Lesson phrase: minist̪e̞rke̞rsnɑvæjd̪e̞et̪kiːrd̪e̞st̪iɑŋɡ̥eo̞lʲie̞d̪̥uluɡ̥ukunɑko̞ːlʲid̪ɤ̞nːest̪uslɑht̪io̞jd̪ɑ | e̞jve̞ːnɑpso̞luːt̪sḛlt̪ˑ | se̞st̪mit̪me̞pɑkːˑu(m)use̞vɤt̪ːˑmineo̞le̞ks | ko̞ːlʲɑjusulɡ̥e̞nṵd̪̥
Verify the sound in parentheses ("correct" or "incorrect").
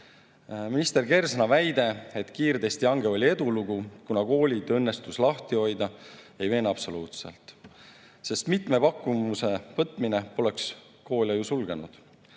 correct